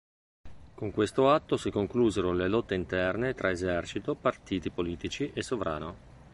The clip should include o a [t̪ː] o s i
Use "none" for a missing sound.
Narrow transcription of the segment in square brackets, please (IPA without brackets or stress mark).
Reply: t̪ː